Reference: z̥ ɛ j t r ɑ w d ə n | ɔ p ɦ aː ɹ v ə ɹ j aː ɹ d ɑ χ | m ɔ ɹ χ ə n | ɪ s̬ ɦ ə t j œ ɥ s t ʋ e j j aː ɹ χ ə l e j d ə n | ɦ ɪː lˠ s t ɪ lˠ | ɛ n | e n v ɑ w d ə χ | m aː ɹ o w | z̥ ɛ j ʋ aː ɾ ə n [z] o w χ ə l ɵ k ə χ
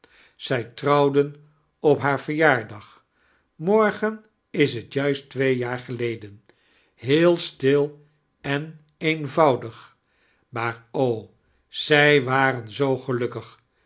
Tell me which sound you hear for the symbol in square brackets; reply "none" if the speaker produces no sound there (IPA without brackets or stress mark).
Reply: z